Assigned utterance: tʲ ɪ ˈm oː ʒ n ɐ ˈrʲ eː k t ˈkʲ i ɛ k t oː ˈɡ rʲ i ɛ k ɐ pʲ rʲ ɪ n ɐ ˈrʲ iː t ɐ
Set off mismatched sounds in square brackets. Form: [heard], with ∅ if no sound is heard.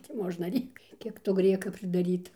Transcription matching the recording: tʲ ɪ ˈm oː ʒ n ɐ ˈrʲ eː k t ˈkʲ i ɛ k t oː ˈɡ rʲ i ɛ k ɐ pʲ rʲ ɪ [d] ɐ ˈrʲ iː t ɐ